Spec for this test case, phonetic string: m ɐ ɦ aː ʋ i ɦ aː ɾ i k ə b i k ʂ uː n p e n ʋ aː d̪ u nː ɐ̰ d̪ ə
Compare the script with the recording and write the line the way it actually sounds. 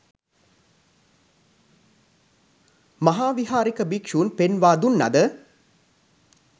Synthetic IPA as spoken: m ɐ ɦ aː ʋ i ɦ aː ɾ i k ə b i k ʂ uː n p e n ʋ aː d̪ u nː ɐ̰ d̪ ə